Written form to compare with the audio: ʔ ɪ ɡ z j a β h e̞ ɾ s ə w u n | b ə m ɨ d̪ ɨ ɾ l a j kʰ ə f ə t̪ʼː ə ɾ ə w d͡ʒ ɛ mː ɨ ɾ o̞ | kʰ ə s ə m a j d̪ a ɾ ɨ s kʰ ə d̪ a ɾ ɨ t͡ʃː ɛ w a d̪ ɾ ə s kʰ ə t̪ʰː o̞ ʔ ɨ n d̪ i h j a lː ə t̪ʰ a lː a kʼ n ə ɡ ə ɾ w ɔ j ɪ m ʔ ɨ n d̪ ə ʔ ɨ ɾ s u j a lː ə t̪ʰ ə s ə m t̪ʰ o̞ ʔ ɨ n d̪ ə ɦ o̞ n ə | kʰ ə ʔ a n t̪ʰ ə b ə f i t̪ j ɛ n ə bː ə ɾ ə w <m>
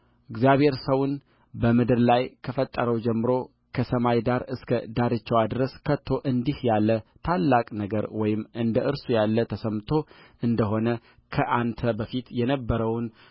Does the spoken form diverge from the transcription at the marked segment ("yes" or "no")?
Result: yes